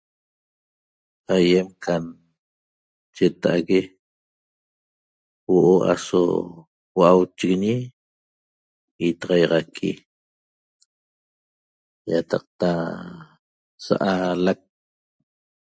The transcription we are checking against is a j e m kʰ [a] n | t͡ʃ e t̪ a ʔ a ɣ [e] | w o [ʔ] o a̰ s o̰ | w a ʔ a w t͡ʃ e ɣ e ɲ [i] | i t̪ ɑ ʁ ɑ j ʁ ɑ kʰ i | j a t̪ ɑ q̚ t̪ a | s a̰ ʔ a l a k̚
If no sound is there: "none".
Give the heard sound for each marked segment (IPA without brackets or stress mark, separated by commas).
a, e, ʔ, i